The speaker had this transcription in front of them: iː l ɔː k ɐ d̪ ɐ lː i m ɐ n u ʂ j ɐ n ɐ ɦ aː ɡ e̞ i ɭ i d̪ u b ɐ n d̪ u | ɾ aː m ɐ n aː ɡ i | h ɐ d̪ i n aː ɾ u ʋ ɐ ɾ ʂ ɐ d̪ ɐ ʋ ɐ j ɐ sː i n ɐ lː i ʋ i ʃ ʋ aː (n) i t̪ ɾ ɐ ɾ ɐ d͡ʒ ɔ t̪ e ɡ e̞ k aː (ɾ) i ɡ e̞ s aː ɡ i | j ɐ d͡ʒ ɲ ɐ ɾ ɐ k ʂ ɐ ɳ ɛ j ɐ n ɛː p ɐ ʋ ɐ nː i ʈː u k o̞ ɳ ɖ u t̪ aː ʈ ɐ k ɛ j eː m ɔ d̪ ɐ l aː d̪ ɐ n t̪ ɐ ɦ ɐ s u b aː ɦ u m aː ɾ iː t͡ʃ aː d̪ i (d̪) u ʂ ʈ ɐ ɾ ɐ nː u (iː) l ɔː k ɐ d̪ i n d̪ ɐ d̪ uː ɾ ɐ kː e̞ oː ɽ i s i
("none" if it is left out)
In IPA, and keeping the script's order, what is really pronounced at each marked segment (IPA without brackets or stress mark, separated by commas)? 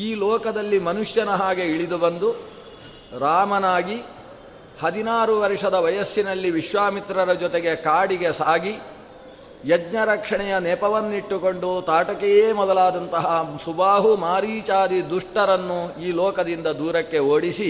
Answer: m, ɽ, d̪, iː